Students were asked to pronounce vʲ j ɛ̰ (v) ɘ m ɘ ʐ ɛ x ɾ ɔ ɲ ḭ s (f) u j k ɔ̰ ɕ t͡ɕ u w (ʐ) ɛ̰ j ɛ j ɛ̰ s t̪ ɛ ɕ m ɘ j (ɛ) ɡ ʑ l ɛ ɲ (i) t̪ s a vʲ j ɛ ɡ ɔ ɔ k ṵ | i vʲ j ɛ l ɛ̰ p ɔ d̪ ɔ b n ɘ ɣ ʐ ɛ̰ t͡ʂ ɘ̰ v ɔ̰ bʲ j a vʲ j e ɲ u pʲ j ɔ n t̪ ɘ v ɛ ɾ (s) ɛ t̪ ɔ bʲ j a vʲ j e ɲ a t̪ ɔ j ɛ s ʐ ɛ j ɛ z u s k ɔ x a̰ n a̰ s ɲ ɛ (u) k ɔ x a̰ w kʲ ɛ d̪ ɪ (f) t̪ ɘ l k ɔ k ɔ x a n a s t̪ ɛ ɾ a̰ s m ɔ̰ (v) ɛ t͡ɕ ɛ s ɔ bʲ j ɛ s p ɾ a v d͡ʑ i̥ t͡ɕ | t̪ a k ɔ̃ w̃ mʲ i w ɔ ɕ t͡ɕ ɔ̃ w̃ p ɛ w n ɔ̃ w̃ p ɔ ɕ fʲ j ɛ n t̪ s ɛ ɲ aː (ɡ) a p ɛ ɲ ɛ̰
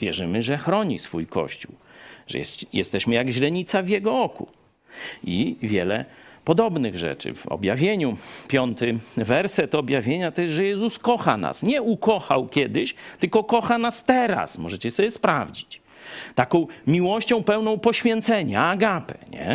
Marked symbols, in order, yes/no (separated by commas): no, yes, yes, no, yes, yes, yes, no, no, yes